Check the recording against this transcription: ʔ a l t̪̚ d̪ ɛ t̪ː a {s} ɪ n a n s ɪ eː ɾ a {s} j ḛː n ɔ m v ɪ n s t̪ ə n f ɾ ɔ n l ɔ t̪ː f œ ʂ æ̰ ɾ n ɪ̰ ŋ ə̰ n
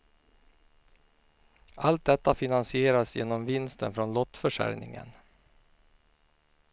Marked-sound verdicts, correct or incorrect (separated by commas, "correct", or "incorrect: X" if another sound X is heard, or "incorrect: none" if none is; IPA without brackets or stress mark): incorrect: f, correct